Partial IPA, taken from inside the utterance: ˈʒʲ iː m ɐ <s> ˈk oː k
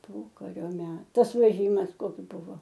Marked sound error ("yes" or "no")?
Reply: no